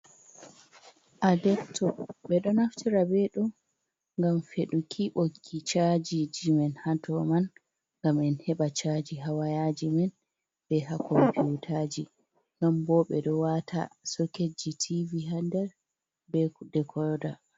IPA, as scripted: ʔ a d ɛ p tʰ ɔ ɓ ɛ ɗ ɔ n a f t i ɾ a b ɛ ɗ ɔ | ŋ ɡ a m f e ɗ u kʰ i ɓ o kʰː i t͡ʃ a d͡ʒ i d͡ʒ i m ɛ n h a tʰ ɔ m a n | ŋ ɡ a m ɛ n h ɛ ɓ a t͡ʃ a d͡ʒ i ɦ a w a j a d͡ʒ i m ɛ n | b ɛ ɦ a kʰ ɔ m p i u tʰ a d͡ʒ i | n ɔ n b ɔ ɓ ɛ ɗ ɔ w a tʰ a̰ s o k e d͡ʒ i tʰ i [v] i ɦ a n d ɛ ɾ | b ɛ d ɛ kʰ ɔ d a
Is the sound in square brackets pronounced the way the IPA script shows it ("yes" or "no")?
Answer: yes